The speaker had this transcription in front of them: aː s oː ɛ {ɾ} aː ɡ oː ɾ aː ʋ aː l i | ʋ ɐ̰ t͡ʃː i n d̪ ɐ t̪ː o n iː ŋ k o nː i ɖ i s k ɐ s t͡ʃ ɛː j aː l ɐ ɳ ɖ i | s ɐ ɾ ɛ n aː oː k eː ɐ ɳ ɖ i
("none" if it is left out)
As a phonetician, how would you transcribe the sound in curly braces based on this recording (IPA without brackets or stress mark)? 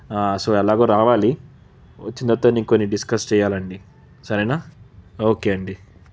l